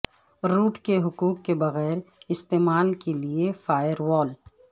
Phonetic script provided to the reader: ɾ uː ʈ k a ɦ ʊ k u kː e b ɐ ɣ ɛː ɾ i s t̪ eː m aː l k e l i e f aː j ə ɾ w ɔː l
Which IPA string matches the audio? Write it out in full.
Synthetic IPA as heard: ɾ uː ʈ k e ɦ ʊ k uː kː e b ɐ ɣ ɛː ɾ ɪ s t̪ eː m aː l k e l i e f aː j ə ɾ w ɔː l

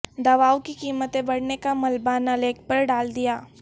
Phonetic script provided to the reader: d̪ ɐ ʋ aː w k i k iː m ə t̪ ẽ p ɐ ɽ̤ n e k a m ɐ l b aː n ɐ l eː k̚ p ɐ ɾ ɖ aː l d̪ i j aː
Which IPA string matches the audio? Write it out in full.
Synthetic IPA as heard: d̪ ɐ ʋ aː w k i k iː m ə t̪ ẽ b ɐ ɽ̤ n e k a m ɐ l b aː n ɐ l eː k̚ p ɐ ɾ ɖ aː l d̪ i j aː

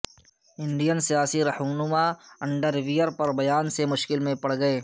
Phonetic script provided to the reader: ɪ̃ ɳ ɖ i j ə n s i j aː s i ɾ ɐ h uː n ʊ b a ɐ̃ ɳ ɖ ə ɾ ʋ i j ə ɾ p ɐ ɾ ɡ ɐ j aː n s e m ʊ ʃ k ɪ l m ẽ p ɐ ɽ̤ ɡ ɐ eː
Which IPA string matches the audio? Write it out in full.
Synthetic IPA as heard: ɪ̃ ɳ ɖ i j ə n s i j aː s i ɾ ɐ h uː n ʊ m a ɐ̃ ɳ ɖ ə ɾ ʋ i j ə ɾ p ɐ ɾ b ɐ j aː n s e m ʊ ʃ k ɪ l m ẽ p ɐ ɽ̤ ɡ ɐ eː

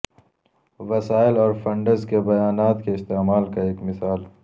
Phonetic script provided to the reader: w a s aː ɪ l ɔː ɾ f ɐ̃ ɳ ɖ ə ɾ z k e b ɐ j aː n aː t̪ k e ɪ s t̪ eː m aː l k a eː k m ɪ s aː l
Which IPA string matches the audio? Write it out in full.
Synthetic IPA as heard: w ɐ s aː ɪ l ɔː ɾ f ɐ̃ ɳ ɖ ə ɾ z k e b ɐ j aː n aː t̪ k e ɪ s t̪ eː m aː l k a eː k m ɪ s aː l

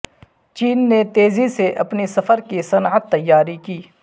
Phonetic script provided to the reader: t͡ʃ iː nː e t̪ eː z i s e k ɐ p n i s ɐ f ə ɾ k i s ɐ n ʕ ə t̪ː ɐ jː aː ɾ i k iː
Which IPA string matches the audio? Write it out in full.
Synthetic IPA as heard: t͡ʃ iː nː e t̪ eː z i s e ʔ ɐ p n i s ɐ f ə ɾ k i s ɐ n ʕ ə t̪ː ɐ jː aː ɾ i k iː

